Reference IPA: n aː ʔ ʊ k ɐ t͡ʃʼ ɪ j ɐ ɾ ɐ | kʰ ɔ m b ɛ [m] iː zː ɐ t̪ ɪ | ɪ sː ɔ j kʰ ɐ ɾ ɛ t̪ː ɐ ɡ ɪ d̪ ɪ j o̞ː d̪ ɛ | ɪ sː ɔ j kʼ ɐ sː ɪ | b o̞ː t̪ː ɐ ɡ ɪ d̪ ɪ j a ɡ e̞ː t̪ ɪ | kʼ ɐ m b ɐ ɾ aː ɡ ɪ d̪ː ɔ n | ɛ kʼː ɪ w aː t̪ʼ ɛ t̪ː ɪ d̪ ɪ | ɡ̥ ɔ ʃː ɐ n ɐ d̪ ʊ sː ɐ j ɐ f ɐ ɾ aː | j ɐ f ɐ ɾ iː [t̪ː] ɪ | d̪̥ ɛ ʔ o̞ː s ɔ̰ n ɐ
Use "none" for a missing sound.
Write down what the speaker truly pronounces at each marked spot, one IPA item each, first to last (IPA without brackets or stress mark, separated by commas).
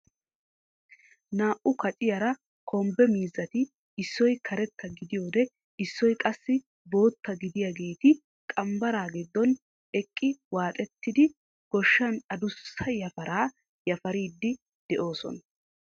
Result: m, d̪ː